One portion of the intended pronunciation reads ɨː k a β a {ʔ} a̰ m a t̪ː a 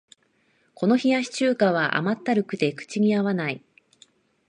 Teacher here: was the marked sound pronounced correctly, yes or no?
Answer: yes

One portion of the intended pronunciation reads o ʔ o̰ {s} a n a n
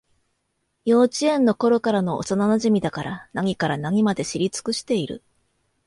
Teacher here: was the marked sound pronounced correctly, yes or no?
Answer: yes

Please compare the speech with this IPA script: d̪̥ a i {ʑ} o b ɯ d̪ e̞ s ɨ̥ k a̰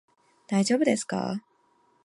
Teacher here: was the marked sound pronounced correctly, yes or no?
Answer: no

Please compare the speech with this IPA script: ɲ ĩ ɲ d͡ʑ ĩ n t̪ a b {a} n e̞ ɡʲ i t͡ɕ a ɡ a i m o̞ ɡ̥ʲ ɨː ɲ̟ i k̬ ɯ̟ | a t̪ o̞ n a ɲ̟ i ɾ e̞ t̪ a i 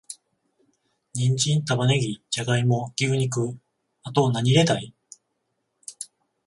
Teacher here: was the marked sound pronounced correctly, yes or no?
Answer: yes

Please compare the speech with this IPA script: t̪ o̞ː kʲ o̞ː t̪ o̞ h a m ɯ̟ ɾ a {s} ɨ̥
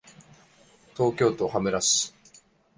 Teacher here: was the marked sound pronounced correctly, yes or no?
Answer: yes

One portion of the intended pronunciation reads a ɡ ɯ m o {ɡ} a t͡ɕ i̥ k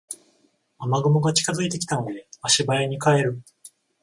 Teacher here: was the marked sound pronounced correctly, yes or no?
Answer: yes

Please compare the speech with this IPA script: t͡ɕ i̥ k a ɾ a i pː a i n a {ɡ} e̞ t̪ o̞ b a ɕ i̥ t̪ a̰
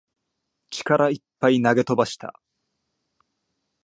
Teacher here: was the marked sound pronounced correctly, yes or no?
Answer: yes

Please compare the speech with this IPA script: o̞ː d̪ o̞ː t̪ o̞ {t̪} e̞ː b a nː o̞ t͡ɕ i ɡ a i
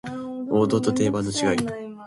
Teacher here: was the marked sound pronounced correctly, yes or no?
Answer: yes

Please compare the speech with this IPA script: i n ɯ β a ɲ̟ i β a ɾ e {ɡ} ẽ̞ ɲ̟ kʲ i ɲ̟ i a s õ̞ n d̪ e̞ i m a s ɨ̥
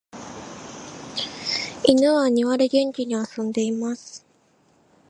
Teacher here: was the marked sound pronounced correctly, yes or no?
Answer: yes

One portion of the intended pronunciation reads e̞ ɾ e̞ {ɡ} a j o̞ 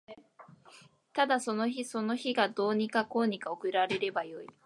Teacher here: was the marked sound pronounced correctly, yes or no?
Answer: no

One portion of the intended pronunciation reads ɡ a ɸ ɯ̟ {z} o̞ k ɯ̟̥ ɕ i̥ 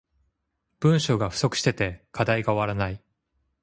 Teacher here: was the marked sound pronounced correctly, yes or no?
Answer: no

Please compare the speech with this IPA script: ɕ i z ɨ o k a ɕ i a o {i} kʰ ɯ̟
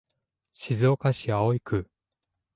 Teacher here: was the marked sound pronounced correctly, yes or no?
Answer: yes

